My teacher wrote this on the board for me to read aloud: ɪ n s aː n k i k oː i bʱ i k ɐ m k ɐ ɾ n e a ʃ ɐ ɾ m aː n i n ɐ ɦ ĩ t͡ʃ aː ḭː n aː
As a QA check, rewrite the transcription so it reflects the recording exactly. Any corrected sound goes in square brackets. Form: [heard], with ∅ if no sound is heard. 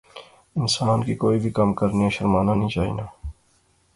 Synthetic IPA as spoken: ɪ n s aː n k i k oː i bʱ i k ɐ m k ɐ ɾ n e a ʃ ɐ ɾ m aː n [a] n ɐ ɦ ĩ t͡ʃ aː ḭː n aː